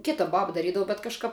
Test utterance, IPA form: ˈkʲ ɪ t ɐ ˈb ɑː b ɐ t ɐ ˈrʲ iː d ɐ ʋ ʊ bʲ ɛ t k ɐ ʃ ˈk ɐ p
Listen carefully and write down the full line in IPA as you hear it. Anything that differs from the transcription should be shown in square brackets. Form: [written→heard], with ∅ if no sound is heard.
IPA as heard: ˈkʲ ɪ t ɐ ˈb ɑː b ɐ [t→d] ɐ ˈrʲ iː d ɐ ʋ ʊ bʲ ɛ t k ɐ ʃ ˈk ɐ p